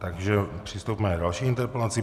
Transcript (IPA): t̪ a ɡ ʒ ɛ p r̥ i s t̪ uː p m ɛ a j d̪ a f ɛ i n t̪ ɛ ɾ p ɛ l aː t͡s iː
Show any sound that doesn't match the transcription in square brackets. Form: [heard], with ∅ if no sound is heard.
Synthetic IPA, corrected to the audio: t̪ a ɡ ʒ ɛ p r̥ i s t̪ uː p m ɛ a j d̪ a [ʃ] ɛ i n t̪ ɛ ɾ p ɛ l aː t͡s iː